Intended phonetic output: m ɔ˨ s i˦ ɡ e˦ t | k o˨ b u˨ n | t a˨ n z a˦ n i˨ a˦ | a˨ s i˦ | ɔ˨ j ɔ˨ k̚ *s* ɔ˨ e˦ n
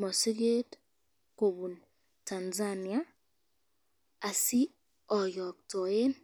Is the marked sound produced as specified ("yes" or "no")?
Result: no